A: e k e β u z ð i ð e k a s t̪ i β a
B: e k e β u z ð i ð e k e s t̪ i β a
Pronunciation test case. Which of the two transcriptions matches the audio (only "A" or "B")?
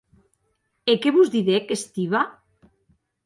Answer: B